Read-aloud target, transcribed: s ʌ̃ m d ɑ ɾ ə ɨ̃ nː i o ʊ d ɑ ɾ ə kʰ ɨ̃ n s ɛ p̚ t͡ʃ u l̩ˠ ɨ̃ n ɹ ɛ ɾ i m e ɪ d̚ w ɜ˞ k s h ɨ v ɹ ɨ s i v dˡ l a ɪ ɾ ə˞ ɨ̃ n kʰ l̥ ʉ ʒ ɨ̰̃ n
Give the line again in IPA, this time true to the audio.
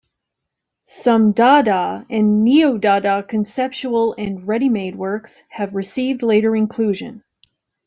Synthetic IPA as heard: s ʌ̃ m d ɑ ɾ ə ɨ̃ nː i o ʊ d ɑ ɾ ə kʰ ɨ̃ n s ɛ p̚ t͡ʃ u l̩ˠ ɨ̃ n ɹ ɛ ɾ i m e ɪ d̚ w ɜ˞ k s h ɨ v ɹ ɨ s i v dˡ l e ɪ ɾ ə˞ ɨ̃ n kʰ l̥ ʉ ʒ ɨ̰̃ n

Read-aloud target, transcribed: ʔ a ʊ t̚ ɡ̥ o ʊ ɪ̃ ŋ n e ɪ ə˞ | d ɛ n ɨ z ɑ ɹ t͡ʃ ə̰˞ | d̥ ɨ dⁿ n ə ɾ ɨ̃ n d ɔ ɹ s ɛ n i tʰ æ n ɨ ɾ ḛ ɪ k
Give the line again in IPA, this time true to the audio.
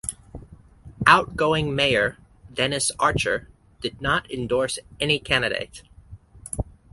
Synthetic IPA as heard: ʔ a ʊ t̚ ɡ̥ o ʊ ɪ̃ ŋ m e ɪ ə˞ | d ɛ n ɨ s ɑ ɹ t͡ʃ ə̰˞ | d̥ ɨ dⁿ n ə ɾ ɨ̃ n d ɔ ɹ s ɛ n i kʰ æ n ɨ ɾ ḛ ɪ t

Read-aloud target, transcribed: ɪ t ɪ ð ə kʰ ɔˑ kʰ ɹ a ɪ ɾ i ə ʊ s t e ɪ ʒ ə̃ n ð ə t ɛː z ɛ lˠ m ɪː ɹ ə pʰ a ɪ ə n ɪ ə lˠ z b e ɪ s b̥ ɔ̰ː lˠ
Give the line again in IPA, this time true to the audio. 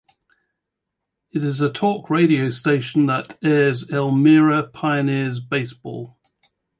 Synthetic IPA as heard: ɪ t ɪ z ə tʰ ɔˑ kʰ ɹ e ɪ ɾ i ə ʊ s t e ɪ ʃ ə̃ n ð ə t ɛː z ɛ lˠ m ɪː ɹ ə pʰ a ɪ ə n ɪ ə z b e ɪ s b̥ ɔ̰ː lˠ

